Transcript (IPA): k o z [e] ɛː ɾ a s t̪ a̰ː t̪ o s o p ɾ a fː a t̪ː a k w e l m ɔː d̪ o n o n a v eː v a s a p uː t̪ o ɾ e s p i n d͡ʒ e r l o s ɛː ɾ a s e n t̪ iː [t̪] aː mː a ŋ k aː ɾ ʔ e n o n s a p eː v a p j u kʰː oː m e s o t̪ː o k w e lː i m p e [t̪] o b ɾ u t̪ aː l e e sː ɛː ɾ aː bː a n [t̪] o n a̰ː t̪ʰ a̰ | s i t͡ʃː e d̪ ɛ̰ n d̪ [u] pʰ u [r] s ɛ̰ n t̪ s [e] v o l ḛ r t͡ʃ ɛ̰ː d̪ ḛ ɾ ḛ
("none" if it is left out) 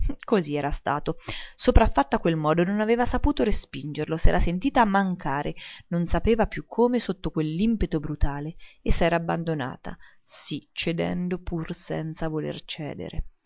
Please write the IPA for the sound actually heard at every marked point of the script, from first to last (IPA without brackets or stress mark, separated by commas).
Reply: i, t̪, t̪, d̪, o, r, a